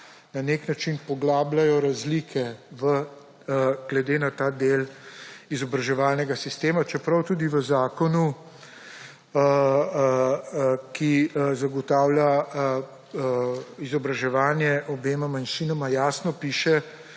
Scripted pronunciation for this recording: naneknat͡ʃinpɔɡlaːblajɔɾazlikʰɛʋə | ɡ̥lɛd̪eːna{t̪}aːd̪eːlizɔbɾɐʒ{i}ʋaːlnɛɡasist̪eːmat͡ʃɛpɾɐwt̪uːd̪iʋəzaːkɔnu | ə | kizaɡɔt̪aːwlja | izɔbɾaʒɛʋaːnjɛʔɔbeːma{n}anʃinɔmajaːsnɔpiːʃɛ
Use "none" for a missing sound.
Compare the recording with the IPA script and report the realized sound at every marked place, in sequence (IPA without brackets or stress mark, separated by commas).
t̪, ɛ, m